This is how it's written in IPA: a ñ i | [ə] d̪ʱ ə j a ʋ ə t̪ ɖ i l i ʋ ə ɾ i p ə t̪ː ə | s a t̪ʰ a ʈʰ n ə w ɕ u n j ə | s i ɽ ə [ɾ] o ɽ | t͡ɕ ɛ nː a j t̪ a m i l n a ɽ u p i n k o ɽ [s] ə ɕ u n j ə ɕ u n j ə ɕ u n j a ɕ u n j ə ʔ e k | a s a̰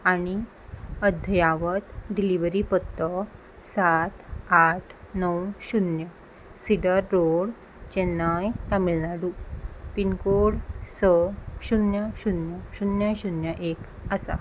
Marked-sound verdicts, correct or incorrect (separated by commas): correct, incorrect, correct